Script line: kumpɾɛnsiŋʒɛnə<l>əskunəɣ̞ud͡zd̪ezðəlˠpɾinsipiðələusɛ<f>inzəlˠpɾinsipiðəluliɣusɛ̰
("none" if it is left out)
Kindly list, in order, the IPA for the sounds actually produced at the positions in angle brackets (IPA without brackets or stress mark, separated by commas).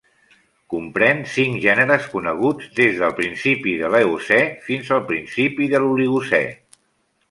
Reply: ɾ, f